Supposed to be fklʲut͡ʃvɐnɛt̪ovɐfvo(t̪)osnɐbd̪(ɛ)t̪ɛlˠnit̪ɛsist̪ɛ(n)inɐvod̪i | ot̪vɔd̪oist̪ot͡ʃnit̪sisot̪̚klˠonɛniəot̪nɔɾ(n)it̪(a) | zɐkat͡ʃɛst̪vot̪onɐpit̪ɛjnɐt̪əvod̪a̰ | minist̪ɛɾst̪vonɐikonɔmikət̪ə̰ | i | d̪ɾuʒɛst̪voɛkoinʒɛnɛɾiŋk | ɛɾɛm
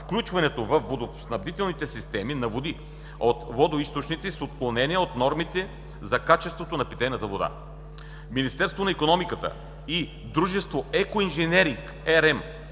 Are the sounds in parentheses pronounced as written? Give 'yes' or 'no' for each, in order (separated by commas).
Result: no, no, no, no, no